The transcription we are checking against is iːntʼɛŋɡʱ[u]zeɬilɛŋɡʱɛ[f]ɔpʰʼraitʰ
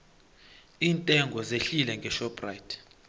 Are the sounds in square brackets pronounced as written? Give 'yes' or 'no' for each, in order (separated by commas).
no, no